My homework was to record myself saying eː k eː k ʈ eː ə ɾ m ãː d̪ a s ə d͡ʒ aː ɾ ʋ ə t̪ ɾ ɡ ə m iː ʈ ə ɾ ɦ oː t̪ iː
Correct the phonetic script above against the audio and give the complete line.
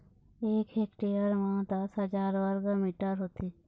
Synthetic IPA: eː k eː k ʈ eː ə ɾ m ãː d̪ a s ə d͡ʒ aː ɾ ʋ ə ɾ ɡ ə m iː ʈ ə ɾ ɦ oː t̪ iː